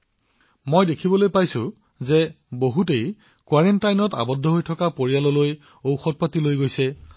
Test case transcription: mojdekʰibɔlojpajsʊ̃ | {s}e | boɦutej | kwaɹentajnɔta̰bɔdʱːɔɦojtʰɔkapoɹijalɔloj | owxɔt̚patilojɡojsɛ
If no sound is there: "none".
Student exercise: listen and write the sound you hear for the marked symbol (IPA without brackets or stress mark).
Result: z